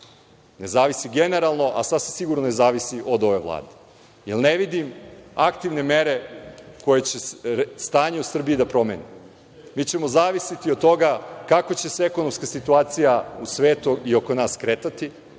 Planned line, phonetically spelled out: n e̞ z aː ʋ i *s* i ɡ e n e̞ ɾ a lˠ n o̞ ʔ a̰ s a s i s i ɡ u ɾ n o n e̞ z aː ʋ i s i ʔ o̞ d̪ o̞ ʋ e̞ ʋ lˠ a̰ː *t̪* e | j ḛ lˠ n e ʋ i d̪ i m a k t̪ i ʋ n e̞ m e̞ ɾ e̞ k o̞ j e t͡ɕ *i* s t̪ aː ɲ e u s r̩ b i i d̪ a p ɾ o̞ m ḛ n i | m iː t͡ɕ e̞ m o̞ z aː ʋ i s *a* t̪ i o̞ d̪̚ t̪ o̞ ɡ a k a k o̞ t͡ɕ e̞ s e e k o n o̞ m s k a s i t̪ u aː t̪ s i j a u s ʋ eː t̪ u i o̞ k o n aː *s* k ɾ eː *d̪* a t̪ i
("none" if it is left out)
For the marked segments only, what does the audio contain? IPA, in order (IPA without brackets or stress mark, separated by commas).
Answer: s, d̪, e, i, s, t̪